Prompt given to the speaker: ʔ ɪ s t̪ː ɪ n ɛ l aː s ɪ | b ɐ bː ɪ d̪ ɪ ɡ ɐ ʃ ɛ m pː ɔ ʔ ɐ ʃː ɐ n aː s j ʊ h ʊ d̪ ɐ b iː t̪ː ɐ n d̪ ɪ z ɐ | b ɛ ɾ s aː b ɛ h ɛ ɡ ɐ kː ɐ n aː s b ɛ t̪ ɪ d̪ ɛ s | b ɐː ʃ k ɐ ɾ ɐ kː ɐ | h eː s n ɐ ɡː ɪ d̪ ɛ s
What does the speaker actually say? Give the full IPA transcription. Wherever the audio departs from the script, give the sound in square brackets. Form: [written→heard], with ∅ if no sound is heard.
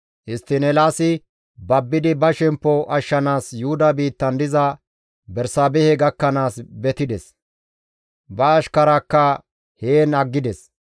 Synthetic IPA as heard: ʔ ɪ s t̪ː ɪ n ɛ l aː s ɪ | b ɐ bː ɪ d̪ ɪ [ɡ→b] ɐ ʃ ɛ m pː ɔ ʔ ɐ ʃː ɐ n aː s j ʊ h ʊ d̪ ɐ b iː t̪ː ɐ n d̪ ɪ z ɐ | b ɛ ɾ s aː b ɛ h ɛ ɡ ɐ kː ɐ n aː s b ɛ t̪ ɪ d̪ ɛ s | b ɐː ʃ k ɐ ɾ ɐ kː ɐ | h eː [s→∅] n ɐ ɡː ɪ d̪ ɛ s